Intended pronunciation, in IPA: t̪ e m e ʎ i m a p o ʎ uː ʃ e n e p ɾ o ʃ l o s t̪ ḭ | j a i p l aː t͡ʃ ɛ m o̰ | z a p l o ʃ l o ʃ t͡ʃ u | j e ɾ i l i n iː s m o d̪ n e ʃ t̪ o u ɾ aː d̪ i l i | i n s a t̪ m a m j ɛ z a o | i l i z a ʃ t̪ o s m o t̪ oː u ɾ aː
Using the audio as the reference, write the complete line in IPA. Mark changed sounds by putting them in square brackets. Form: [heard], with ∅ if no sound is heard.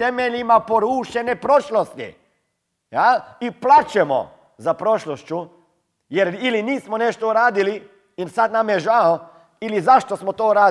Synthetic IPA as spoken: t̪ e m e ʎ i m a p o [ɾ] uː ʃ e n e p ɾ o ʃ l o s t̪ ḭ | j a i p l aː t͡ʃ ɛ m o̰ | z a p [ɾ] o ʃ l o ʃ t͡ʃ u | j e ɾ i l i n iː s m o [∅] n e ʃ t̪ o u ɾ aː d̪ i l i | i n s a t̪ [n] a m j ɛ [ʒ] a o | i l i z a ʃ t̪ o s m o t̪ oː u ɾ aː